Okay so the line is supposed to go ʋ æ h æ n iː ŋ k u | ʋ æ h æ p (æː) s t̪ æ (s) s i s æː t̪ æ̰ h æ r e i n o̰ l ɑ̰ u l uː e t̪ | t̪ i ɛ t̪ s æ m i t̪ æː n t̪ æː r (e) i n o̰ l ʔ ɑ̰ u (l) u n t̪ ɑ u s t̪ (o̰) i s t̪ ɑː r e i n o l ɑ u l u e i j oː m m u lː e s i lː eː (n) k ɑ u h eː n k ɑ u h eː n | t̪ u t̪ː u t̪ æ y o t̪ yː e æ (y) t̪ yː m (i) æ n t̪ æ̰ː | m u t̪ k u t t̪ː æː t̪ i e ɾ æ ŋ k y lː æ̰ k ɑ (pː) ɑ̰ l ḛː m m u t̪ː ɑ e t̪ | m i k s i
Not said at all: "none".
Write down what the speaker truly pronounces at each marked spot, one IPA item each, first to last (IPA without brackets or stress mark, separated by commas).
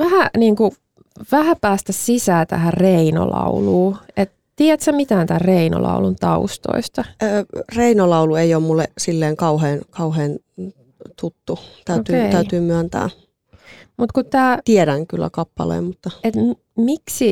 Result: æː, s, e, l, o̰, ŋ, y, y, pː